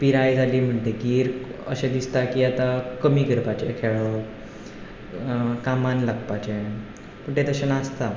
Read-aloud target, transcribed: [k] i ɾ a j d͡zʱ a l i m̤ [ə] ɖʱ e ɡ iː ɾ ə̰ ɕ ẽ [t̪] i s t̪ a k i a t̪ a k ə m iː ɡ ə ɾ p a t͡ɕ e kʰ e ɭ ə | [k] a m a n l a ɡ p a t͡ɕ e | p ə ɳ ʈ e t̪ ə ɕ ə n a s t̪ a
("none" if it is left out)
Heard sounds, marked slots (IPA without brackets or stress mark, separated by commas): p, ə, d̪, k